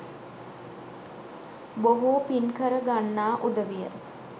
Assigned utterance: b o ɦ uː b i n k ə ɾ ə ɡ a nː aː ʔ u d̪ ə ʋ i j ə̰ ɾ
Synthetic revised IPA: b o ɦ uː p i n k ə ɾ ə ɡ a nː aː ʔ u d̪ ə ʋ i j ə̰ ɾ